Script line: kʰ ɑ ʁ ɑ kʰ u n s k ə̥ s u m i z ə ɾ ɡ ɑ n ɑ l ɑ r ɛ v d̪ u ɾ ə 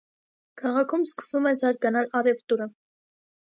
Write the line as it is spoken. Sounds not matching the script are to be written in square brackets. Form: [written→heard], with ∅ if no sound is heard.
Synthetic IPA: kʰ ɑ ʁ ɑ kʰ u [n→m] s k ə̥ s u m [i→ɛ] z [ə→ɑ] ɾ ɡ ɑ n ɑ l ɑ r ɛ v [d̪→t̪] u ɾ ə